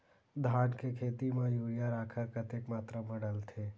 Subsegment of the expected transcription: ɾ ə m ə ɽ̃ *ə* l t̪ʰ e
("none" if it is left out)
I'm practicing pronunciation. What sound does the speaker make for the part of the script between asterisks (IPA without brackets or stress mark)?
ə